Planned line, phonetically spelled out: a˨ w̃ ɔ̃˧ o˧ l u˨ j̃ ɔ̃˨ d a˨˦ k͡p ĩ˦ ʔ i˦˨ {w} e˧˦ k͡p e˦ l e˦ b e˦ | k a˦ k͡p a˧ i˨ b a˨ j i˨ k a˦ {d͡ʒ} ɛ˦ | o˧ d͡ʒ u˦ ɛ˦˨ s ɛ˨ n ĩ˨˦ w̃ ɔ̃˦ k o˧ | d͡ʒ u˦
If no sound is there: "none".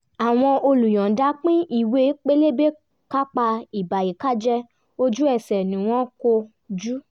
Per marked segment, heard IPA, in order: w, d͡ʒ

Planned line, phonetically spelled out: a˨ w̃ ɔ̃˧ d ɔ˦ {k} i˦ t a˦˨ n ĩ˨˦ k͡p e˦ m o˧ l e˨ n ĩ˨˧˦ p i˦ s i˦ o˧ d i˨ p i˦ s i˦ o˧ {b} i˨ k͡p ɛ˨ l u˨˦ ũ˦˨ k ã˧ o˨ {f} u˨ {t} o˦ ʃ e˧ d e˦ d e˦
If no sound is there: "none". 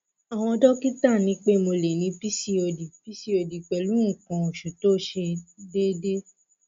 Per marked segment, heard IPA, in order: k, d, ʃ, t

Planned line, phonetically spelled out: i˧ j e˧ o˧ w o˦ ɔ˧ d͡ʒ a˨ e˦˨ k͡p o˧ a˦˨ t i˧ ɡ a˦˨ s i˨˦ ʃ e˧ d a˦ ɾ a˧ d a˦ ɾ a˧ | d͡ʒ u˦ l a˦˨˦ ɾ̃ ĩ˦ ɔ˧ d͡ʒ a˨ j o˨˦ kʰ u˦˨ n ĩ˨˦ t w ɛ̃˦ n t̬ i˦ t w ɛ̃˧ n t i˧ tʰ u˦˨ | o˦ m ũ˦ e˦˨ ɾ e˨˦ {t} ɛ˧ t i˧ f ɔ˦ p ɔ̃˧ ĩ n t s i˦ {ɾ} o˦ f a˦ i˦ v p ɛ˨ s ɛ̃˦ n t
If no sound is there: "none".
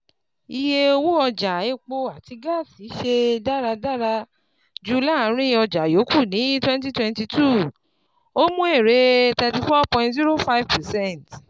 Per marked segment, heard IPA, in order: t, ɾ

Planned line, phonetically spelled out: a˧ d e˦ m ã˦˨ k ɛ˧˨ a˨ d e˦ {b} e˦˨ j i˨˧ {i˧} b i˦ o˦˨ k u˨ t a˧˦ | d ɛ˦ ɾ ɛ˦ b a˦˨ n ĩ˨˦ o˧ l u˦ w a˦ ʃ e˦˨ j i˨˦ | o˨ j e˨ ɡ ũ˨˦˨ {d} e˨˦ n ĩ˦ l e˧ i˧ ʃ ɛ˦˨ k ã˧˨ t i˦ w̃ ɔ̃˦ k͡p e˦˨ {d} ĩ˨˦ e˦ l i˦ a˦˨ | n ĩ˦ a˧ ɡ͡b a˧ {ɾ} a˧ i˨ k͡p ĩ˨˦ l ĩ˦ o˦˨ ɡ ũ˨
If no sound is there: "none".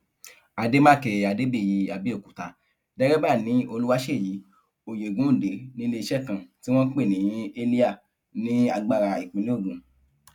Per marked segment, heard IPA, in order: b, a˧, d, n, ɾ

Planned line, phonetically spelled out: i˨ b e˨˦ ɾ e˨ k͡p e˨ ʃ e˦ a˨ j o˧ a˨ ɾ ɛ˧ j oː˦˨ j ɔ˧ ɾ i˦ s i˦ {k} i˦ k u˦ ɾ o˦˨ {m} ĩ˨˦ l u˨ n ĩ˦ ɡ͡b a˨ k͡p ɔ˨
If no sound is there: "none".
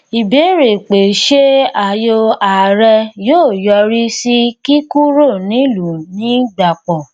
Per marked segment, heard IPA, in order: k, n

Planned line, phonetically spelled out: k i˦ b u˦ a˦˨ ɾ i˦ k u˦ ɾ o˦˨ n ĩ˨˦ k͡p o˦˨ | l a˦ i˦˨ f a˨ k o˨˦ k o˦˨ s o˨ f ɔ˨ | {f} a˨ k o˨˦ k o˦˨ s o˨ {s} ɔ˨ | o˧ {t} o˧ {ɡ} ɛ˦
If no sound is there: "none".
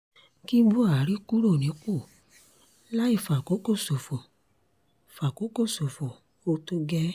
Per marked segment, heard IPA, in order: f, f, t, ɡ

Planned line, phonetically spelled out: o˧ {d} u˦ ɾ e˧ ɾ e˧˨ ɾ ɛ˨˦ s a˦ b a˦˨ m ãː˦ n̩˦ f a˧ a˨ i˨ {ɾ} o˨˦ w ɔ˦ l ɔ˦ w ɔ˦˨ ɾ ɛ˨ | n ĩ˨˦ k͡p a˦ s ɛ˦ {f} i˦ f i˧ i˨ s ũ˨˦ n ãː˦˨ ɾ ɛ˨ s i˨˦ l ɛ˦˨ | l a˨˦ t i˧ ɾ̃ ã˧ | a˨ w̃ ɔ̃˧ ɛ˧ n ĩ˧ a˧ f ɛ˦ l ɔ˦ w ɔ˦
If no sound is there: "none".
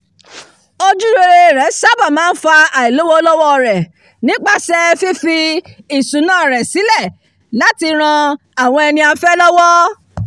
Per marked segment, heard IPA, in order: d͡ʒ, l, f

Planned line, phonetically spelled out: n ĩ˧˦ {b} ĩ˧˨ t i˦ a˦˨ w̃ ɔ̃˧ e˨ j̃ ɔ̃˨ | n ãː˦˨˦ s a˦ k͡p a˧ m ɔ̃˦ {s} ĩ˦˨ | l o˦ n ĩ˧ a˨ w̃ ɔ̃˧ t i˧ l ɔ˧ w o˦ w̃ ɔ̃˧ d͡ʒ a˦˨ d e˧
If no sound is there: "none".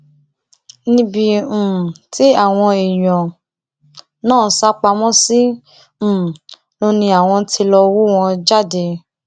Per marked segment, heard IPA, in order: b, s

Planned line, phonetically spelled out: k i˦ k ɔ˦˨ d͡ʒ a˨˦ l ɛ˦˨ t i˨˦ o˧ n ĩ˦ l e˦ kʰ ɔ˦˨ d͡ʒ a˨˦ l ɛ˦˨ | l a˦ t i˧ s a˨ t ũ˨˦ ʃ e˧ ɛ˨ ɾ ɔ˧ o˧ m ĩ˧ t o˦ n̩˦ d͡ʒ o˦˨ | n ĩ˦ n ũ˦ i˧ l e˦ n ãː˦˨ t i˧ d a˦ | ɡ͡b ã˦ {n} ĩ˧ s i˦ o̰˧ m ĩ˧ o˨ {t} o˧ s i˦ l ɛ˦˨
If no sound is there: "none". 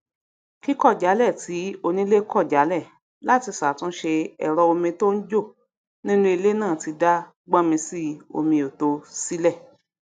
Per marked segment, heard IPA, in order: m, t

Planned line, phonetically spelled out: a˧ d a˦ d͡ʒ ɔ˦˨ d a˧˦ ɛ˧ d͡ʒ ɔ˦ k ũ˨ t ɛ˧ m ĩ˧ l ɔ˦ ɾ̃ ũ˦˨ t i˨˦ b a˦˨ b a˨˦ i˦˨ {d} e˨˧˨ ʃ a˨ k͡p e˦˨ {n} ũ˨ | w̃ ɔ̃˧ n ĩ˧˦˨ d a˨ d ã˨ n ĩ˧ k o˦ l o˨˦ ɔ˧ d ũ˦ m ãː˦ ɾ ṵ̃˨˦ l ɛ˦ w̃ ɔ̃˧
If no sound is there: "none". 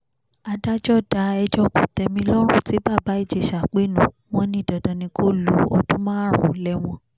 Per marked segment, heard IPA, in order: d͡ʒ, n

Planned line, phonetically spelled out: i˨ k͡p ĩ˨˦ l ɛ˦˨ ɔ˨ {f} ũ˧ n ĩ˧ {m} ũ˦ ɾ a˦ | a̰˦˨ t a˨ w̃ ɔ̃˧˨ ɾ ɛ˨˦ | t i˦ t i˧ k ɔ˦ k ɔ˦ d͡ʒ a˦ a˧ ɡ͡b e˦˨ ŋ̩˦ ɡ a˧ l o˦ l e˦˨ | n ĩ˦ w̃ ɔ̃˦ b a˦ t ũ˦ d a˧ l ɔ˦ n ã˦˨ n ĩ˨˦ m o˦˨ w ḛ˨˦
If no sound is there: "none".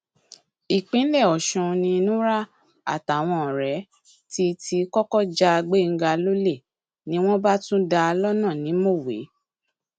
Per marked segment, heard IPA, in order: ʃ, n

